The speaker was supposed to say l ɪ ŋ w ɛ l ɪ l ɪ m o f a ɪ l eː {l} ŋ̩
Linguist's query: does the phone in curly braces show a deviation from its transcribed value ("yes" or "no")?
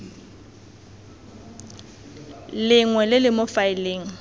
yes